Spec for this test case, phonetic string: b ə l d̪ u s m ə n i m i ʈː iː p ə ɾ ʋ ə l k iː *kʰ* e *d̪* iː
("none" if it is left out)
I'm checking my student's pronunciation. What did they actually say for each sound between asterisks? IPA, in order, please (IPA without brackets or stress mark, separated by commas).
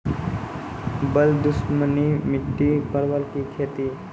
kʰ, t̪